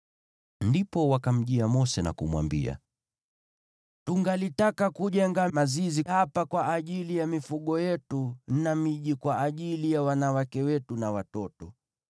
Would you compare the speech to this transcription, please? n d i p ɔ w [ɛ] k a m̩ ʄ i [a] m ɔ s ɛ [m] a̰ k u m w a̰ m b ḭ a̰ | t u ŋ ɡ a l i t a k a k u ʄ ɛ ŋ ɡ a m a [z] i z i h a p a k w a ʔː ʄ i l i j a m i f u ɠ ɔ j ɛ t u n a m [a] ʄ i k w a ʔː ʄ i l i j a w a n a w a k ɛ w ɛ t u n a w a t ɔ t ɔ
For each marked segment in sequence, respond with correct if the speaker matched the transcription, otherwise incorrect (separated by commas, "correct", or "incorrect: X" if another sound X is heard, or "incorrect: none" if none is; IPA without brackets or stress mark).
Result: incorrect: a, correct, incorrect: n, correct, incorrect: i